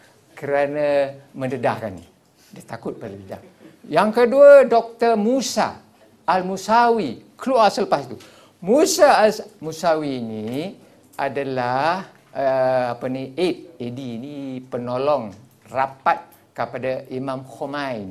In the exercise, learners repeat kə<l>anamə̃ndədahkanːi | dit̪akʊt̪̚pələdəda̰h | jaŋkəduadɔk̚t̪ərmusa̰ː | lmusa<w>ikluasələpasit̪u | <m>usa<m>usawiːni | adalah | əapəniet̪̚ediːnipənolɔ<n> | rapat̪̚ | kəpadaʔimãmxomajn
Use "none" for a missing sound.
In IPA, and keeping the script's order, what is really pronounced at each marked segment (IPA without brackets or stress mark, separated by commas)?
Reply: ɾ, w, m, m, ŋ